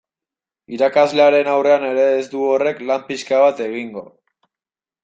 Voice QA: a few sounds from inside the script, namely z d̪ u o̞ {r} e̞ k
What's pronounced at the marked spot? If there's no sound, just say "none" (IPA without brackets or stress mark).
r